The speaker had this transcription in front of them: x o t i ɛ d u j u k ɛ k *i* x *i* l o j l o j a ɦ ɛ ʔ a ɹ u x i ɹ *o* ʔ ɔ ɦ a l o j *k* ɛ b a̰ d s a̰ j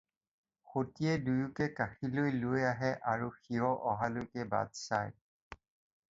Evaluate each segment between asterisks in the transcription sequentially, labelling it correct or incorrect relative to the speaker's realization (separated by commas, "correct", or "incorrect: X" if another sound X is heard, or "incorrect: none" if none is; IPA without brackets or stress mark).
incorrect: a, correct, incorrect: ɔ, correct